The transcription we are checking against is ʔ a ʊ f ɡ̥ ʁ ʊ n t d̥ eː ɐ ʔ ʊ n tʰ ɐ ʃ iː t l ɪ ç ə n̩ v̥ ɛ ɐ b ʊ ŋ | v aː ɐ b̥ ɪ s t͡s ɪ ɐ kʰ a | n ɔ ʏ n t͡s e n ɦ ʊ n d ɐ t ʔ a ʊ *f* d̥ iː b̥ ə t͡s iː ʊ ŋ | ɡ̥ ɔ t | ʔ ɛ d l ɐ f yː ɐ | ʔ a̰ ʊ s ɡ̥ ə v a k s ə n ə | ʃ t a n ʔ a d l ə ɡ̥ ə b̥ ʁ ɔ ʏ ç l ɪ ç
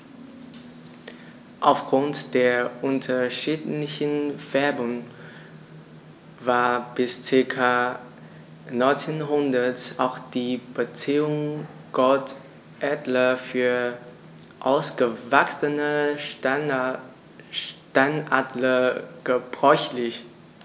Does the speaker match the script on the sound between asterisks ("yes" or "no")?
no